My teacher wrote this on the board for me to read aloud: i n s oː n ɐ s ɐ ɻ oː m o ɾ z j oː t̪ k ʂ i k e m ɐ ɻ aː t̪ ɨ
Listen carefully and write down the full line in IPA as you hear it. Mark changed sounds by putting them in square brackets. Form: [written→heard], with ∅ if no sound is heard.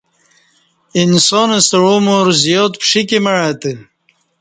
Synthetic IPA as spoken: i n s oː n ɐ s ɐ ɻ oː m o ɾ z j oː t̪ [k→p] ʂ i k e m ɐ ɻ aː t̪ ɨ

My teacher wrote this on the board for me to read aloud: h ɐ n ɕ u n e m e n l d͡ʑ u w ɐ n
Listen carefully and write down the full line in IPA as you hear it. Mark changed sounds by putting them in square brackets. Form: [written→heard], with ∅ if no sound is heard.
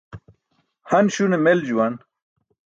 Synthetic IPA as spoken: h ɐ n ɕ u n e m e [n→∅] l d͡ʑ u w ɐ n

